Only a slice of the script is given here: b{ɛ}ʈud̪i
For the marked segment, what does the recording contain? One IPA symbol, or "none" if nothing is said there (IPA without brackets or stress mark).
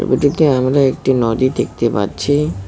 i